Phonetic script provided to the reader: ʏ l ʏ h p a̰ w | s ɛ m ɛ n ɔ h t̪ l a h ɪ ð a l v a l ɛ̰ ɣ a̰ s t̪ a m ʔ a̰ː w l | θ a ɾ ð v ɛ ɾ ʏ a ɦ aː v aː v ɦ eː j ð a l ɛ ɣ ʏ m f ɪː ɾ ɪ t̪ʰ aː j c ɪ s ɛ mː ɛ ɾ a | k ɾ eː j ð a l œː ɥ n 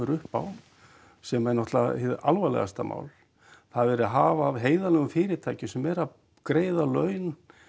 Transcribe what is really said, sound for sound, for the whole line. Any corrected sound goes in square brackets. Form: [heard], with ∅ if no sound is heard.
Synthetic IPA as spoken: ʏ [ɾ] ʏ h p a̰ w | s ɛ m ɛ n ɔ h t̪ l a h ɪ ð a l v a l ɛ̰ ɣ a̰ s t̪ a m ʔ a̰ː w l | θ a [∅] ð v ɛ ɾ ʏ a ɦ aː v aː v ɦ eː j ð a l ɛ ɣ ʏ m f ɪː ɾ ɪ t̪ʰ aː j c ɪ s ɛ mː ɛ ɾ a | k ɾ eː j ð a l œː ɥ n